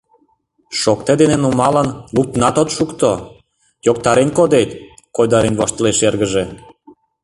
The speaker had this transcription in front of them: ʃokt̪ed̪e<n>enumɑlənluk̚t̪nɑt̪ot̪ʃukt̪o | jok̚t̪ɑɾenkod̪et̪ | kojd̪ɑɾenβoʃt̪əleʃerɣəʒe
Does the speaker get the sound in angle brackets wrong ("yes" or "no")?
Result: no